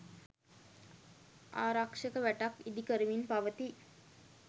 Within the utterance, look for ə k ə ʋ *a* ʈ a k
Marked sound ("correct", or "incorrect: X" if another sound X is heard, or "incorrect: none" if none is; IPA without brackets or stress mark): incorrect: æ